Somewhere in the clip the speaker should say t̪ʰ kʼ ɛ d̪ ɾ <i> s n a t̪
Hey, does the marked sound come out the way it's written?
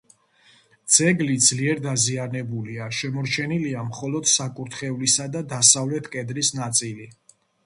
yes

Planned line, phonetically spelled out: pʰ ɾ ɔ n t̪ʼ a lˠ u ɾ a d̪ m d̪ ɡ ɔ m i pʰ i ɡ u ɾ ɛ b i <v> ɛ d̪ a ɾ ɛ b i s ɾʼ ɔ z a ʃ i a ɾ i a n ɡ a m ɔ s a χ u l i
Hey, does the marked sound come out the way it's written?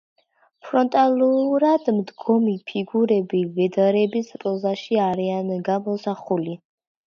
yes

